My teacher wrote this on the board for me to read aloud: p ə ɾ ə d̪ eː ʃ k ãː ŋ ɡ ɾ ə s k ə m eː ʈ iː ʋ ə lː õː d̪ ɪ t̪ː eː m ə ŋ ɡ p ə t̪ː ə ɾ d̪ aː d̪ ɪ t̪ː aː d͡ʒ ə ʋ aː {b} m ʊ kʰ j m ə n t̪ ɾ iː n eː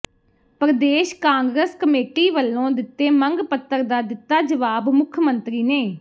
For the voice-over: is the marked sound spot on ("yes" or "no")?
yes